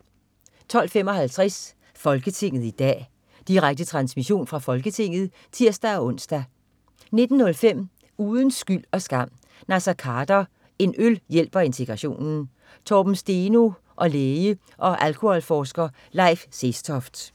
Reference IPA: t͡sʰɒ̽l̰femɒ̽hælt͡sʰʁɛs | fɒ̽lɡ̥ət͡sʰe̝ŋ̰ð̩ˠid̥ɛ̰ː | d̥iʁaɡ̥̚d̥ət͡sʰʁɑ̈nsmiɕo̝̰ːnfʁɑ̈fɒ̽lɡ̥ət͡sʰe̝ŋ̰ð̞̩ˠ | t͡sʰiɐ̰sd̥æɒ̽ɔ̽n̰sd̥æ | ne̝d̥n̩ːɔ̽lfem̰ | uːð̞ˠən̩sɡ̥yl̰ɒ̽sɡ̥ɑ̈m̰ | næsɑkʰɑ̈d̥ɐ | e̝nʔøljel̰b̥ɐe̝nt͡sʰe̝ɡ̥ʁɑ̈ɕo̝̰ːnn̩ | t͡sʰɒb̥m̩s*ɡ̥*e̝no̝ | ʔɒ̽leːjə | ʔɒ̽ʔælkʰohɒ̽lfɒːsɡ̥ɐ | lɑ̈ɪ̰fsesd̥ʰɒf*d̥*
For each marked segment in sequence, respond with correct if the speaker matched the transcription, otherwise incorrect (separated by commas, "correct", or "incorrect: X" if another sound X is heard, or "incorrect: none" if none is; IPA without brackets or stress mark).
incorrect: d̥, correct